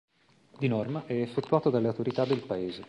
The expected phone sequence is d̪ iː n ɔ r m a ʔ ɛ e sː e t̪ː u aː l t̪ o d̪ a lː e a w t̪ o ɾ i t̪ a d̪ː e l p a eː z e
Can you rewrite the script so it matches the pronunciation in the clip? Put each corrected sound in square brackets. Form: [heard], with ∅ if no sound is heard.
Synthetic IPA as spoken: d̪ [i] n ɔ r m a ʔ ɛ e [fː] e t̪ː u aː [∅] t̪ o d̪ a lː e a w t̪ o ɾ i t̪ a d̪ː e l p a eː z e